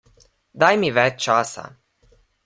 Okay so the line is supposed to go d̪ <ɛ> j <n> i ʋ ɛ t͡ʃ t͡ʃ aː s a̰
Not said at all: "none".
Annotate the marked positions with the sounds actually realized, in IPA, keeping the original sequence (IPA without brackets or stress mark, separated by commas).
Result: a, m